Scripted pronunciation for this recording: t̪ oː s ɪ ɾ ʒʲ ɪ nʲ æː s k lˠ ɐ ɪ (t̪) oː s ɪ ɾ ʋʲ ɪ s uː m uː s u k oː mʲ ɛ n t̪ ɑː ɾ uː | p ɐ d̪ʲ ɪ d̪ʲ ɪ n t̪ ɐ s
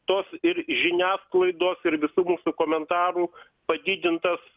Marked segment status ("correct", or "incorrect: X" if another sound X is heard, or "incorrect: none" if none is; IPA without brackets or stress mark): incorrect: d̪